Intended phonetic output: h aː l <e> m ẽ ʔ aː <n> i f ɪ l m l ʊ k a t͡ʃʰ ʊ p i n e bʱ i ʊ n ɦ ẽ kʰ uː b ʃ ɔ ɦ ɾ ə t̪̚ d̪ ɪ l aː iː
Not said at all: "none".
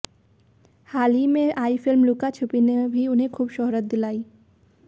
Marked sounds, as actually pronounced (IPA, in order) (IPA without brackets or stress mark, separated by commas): i, none